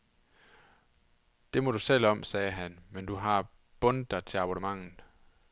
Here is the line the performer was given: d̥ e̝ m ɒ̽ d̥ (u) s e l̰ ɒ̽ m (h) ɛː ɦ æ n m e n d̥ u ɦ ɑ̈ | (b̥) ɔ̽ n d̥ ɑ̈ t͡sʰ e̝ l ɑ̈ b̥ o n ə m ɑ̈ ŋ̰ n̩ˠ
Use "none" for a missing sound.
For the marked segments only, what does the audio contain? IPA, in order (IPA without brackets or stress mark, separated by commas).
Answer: u, s, b̥